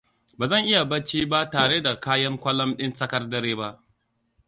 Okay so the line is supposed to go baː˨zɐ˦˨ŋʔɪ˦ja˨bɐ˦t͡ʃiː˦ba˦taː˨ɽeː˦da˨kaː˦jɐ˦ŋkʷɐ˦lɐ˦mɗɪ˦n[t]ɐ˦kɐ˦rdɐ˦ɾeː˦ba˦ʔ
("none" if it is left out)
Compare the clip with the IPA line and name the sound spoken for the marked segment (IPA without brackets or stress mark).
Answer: s